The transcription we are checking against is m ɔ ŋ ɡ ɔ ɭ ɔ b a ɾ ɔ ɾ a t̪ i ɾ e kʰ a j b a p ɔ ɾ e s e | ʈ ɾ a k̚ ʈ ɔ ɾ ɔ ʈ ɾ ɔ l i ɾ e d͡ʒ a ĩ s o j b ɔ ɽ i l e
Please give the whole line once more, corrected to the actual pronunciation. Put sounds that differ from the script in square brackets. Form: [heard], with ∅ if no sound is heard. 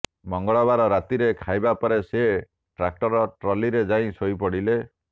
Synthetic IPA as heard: m ɔ ŋ ɡ ɔ ɭ ɔ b a ɾ ɔ ɾ a t̪ i ɾ e kʰ a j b a p ɔ ɾ e s e | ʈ ɾ a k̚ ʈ ɔ ɾ ɔ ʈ ɾ ɔ l i ɾ e d͡ʒ a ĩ s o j [p] ɔ ɽ i l e